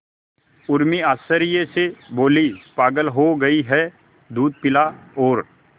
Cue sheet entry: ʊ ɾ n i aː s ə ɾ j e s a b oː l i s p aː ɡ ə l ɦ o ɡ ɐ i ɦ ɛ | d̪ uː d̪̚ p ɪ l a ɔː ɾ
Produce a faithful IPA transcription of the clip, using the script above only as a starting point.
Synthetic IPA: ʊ ɾ m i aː s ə ɾ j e s e b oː l i s p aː ɡ ə l ɦ o ɡ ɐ i ɦ ɛ | d̪ uː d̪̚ p ɪ l a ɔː ɾ